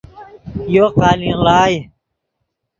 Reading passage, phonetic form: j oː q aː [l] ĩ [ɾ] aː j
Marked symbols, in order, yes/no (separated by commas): yes, no